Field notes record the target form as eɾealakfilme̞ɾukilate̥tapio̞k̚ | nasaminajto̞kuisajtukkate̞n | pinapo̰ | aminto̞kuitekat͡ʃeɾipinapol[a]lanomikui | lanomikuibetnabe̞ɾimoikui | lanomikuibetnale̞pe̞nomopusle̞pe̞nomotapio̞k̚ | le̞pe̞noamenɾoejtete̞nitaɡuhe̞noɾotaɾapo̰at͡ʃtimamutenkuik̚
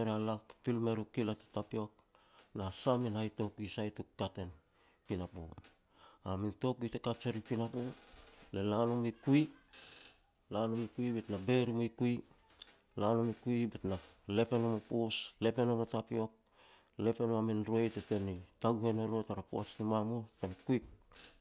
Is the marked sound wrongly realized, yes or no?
yes